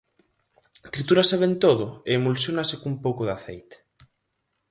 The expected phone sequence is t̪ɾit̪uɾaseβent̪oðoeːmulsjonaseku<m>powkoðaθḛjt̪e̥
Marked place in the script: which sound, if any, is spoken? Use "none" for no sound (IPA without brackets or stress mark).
m